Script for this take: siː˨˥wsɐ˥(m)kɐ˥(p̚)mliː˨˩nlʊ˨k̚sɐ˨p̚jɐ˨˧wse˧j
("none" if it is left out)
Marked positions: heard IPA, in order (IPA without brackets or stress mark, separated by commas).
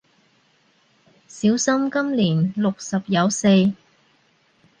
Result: m, none